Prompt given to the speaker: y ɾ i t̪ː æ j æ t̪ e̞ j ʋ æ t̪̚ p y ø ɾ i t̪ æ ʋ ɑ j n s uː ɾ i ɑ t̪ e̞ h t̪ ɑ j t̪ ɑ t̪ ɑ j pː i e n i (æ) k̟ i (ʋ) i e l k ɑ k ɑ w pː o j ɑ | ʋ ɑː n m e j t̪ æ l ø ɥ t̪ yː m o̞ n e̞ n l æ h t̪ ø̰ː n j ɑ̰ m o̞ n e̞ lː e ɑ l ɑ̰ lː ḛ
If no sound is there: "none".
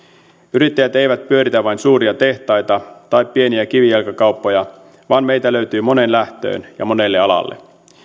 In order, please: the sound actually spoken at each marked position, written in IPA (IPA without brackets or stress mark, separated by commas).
æ, ʋ